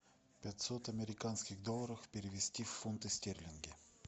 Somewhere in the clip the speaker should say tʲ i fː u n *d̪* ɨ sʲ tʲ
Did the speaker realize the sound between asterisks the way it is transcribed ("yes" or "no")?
no